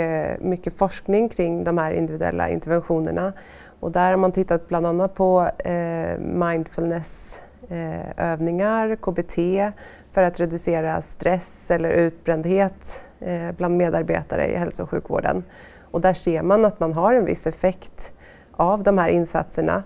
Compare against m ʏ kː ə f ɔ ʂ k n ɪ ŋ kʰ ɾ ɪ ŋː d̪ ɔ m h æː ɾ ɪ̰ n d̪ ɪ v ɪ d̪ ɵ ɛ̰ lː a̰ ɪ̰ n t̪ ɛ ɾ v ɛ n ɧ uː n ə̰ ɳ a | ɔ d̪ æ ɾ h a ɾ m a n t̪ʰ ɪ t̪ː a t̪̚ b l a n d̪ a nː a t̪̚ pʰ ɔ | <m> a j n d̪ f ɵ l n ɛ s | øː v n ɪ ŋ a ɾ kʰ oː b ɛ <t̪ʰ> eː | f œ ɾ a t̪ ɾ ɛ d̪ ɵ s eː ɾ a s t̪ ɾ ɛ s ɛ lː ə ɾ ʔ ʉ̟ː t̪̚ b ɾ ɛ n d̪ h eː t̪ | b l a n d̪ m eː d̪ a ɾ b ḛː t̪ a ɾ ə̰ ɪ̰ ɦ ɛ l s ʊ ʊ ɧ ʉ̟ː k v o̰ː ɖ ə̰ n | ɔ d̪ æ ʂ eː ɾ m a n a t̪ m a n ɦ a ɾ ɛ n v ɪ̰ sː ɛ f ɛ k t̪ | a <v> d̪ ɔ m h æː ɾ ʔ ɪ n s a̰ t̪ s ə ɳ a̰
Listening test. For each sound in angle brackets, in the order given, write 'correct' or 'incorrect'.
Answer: correct, correct, correct

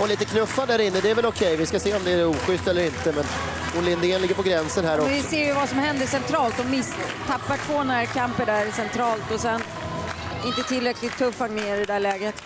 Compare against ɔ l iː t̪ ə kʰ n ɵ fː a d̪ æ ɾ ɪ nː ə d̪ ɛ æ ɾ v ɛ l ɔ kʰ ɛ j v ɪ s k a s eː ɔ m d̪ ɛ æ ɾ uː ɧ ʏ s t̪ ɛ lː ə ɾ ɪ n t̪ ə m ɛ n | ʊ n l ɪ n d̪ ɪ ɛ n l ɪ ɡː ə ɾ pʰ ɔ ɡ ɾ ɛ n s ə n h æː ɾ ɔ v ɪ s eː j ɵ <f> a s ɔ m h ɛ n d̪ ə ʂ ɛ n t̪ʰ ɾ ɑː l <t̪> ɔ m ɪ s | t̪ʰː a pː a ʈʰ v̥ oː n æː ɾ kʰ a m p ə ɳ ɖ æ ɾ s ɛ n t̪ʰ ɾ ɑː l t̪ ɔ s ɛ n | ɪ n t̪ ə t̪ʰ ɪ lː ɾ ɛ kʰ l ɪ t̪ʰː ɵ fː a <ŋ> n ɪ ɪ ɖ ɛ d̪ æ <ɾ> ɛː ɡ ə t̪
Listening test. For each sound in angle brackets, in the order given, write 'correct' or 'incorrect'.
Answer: incorrect, correct, correct, incorrect

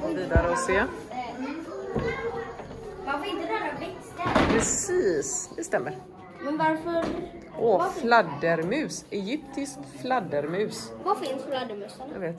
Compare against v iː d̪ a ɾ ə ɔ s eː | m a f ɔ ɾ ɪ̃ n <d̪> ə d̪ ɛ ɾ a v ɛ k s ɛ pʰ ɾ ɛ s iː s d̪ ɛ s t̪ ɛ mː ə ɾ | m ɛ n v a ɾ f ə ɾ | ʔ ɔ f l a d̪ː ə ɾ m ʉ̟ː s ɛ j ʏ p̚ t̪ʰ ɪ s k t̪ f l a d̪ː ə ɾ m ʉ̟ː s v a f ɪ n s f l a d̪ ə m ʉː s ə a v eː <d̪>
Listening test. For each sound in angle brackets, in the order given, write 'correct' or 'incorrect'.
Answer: incorrect, incorrect

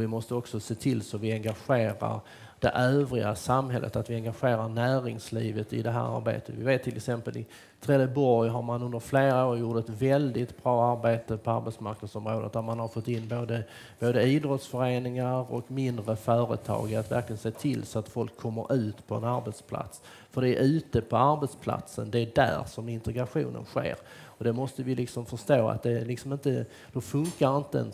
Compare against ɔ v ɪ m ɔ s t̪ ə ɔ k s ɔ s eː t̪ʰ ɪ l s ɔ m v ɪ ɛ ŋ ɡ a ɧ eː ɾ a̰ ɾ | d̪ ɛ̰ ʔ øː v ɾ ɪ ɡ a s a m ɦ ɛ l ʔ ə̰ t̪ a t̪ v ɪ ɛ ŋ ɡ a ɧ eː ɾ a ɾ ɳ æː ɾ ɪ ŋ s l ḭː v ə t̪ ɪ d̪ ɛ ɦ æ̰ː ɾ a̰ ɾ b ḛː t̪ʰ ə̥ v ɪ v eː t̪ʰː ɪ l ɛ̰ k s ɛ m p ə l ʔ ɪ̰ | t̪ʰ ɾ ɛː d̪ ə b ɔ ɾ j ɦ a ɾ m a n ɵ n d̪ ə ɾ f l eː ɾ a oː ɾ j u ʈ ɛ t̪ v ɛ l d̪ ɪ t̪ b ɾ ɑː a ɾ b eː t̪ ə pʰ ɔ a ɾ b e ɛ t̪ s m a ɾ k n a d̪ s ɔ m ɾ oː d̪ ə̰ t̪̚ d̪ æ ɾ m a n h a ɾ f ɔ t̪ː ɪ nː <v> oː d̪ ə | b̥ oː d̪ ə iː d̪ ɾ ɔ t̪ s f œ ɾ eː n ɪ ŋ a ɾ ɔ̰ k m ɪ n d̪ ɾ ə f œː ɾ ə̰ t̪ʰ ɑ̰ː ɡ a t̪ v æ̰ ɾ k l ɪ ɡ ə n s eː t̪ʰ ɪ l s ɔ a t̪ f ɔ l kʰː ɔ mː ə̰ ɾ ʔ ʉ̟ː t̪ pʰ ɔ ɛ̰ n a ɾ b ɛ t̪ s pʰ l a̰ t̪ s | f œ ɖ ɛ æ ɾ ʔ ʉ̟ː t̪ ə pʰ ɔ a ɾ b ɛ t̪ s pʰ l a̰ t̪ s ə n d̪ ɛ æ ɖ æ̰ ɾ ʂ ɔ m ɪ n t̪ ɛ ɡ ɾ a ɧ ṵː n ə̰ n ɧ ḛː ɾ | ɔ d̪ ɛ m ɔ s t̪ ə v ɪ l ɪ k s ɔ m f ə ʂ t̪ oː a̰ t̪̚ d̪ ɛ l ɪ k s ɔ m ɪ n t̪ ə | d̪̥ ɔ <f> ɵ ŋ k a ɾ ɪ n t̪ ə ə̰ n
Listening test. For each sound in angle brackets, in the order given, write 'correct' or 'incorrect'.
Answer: incorrect, correct

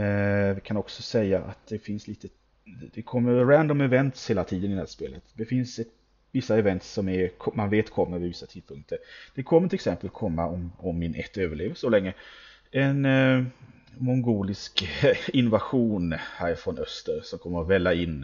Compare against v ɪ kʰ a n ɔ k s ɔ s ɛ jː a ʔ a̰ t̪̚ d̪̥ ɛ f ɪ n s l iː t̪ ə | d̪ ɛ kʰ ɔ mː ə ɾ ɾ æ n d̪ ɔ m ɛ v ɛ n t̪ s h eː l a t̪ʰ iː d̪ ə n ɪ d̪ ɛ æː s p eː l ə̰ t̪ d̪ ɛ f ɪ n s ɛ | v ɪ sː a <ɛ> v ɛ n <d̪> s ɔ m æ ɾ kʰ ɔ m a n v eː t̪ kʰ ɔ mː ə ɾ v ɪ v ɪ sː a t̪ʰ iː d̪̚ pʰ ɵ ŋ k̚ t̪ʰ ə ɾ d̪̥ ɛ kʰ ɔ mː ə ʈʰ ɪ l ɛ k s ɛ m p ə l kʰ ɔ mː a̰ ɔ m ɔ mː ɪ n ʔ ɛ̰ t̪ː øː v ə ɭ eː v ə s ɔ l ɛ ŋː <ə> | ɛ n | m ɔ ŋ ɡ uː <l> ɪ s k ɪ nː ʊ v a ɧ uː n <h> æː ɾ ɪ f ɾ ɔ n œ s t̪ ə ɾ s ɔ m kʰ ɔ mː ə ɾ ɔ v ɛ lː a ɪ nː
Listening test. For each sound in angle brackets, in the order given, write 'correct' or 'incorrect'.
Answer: correct, incorrect, correct, correct, correct

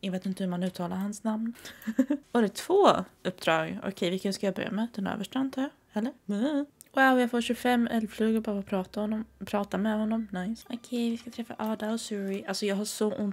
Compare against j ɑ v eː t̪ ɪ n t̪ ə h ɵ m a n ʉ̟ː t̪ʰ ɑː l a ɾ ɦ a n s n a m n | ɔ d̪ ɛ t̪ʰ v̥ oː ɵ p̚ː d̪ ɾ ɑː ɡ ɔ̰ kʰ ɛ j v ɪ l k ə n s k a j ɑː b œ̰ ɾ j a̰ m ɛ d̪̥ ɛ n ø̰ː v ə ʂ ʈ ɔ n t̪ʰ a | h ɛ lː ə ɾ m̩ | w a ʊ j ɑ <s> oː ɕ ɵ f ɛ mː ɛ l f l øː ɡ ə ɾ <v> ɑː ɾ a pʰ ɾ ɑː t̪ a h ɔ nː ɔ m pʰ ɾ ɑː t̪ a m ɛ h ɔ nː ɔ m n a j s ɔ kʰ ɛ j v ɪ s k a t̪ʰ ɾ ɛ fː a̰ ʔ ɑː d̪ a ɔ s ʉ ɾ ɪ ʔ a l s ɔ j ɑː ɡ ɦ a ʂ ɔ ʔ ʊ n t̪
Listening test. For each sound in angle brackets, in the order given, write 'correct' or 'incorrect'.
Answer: incorrect, incorrect

